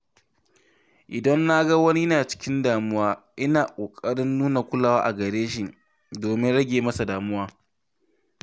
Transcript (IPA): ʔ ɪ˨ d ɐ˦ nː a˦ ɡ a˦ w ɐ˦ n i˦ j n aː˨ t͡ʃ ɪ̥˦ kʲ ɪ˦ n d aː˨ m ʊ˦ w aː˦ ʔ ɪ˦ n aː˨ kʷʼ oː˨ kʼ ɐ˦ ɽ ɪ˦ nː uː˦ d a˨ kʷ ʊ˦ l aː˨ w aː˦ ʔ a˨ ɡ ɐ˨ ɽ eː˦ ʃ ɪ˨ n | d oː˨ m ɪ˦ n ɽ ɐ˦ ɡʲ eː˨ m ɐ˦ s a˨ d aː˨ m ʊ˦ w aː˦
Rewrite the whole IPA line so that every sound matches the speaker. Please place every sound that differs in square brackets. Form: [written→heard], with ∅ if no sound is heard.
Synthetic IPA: ʔ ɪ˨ d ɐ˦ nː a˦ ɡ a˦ w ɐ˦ n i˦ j n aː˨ t͡ʃ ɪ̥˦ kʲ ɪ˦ n d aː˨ m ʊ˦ w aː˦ ʔ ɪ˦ n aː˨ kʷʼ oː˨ kʼ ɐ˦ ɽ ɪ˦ nː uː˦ [d→n] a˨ kʷ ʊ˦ l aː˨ w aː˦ ʔ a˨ ɡ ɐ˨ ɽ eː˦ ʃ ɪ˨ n | d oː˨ m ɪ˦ n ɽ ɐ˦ ɡʲ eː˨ m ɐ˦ s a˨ d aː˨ m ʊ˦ w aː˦